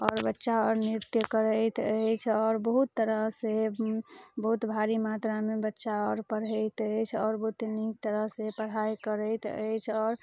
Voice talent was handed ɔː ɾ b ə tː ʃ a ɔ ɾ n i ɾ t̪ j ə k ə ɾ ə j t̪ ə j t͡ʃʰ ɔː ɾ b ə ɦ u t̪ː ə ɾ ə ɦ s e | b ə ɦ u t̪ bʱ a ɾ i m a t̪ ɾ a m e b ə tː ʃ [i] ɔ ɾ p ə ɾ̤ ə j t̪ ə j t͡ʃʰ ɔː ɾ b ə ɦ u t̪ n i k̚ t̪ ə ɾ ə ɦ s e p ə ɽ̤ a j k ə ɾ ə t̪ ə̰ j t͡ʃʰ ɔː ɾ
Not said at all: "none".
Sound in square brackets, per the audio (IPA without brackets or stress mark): a